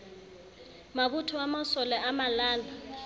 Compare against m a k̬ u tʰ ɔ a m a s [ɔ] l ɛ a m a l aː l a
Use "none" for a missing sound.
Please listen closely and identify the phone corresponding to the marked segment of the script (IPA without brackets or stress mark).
ɔ